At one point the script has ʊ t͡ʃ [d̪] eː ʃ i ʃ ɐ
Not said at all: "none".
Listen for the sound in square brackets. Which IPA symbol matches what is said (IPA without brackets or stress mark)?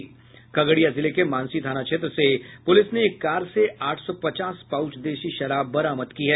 d̪